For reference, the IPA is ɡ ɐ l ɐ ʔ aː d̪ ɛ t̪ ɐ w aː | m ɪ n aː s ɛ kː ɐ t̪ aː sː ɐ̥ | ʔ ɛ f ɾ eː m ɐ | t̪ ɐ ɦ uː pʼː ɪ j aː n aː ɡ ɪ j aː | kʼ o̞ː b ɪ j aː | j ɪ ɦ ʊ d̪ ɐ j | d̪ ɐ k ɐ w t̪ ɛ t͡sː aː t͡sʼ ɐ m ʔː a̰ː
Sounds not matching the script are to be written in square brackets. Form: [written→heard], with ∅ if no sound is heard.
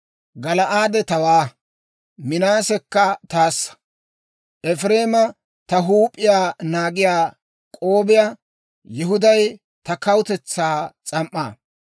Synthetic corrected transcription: ɡ ɐ l ɐ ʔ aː d̪ ɛ t̪ ɐ w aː | m ɪ n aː s ɛ kː ɐ t̪ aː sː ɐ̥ | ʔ ɛ f ɾ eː m ɐ | t̪ ɐ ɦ uː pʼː ɪ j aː n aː ɡ ɪ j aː | kʼ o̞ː b ɪ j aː | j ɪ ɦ ʊ d̪ ɐ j | [d̪→t̪] ɐ k ɐ w t̪ ɛ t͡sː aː t͡sʼ ɐ m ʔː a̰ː